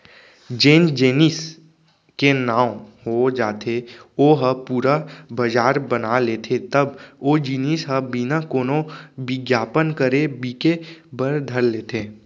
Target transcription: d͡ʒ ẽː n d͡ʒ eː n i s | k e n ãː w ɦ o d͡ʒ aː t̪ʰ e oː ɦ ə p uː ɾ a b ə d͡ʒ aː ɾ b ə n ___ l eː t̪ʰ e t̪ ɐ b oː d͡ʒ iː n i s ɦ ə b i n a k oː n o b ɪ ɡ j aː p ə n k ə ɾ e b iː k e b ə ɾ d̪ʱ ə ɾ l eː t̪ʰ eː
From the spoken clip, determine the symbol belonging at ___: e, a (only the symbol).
a